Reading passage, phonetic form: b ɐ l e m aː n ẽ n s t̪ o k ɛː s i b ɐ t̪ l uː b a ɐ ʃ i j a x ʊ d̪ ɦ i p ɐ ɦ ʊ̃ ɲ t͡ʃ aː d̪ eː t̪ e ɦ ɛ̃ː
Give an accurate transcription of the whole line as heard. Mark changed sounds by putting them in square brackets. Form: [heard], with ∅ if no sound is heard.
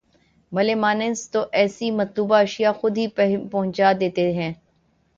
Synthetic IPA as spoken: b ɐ l e m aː n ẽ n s t̪ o [ʔ] ɛː s i [m] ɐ t̪ l uː b a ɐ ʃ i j a x ʊ d̪ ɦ i p ɐ ɦ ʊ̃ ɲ t͡ʃ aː d̪ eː t̪ e ɦ ɛ̃ː